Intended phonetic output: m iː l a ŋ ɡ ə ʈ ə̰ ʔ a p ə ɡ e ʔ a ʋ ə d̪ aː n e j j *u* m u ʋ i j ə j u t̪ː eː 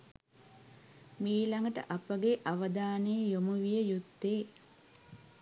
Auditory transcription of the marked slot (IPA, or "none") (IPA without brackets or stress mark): o